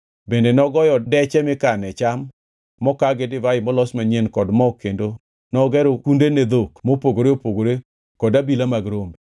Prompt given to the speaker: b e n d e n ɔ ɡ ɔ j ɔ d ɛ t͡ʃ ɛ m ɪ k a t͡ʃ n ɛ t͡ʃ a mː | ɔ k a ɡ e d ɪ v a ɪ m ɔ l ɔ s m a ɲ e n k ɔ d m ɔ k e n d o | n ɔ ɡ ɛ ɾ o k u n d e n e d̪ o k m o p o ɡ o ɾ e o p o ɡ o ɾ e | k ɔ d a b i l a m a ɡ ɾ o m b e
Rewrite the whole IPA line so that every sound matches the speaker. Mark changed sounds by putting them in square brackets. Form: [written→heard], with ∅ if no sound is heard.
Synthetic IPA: b e n d e n ɔ ɡ ɔ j ɔ d ɛ t͡ʃ ɛ m ɪ k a [t͡ʃ→∅] n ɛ t͡ʃ a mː | ɔ k a ɡ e d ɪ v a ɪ m ɔ l ɔ s m a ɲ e n k ɔ d m ɔ k e n d o | n ɔ ɡ ɛ ɾ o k u n d e n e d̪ o k m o p o ɡ o ɾ e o p o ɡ o ɾ e | k ɔ d a b i l a m a ɡ ɾ o m b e